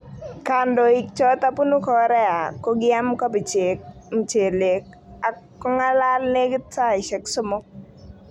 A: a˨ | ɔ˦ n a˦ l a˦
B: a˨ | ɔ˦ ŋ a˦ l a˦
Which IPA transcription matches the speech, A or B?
B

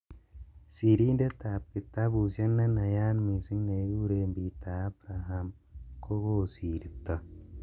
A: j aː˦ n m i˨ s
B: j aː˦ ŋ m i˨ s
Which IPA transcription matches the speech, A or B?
A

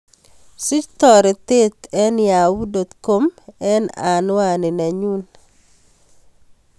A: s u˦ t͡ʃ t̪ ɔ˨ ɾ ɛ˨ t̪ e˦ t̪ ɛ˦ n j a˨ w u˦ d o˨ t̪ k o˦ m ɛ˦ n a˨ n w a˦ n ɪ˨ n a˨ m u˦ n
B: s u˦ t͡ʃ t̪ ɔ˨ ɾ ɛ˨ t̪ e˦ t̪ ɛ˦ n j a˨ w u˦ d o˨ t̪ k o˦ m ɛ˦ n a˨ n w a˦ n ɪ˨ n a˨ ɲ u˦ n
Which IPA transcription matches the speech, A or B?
B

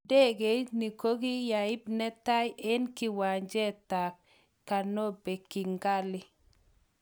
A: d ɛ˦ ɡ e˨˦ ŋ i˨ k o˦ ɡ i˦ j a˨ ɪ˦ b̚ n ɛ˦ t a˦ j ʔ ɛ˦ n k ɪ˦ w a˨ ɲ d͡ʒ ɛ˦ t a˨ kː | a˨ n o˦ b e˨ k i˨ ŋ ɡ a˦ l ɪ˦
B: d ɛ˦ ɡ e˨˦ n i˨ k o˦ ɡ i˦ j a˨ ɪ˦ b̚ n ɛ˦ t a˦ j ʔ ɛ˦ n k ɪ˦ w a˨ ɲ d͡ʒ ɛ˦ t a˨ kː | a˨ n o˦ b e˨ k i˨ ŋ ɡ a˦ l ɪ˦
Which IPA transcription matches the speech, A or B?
B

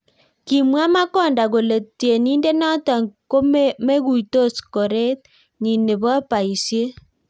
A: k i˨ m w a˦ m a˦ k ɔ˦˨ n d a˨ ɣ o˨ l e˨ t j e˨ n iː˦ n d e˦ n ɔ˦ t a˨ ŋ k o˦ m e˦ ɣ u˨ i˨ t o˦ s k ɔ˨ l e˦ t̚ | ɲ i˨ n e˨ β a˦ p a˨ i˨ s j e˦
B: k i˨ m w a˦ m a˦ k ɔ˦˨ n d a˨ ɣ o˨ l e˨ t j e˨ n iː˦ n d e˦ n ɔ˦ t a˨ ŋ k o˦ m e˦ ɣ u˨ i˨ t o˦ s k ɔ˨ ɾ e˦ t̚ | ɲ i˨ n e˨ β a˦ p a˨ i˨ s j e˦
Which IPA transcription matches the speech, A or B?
B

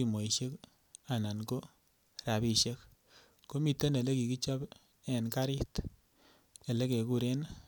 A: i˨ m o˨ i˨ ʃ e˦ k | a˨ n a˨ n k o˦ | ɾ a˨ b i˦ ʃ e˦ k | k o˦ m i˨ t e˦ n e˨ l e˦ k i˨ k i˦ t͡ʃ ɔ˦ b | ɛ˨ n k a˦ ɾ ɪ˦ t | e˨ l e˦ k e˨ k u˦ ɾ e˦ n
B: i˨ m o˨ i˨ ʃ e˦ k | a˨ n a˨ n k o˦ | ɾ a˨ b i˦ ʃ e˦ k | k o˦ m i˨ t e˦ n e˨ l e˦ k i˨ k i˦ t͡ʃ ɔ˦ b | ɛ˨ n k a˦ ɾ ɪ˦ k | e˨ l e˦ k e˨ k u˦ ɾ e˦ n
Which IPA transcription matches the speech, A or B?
A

